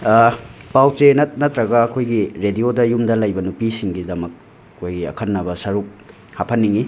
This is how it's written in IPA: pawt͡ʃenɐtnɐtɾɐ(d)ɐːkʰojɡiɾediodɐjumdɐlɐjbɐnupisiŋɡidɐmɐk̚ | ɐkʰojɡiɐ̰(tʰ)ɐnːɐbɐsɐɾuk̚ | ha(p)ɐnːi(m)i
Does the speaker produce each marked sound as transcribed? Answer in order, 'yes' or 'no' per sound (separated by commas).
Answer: no, no, no, no